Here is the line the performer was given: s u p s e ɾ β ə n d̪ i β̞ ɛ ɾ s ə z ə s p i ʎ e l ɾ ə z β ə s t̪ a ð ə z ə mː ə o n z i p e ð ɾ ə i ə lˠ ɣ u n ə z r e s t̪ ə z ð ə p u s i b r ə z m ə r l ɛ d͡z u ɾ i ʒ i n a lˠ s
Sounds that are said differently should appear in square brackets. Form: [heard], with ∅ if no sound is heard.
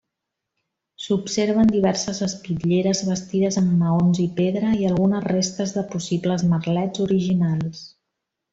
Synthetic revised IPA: s u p s e ɾ β ə n d̪ i β̞ ɛ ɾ s ə z ə s p i ʎ e [∅] ɾ ə z β ə s t̪ [i] ð ə z ə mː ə o n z i p e ð ɾ ə i ə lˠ ɣ u n ə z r e s t̪ ə z ð ə p u s i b [l] ə z m ə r l ɛ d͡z u ɾ i ʒ i n a lˠ s